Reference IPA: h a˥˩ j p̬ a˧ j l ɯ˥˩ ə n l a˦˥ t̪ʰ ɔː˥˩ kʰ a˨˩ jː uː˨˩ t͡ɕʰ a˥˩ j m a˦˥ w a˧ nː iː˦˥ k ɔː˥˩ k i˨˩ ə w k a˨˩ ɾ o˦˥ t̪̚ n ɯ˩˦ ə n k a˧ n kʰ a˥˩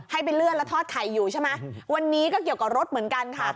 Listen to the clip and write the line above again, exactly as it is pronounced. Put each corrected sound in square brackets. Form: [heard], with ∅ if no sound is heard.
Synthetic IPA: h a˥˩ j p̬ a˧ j l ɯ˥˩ ə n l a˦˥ t̪ʰ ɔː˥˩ kʰ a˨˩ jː uː˨˩ t͡ɕʰ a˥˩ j m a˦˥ w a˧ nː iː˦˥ k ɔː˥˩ k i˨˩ ə w k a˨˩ ɾ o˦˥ t̪̚ [m] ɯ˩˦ ə n k a˧ n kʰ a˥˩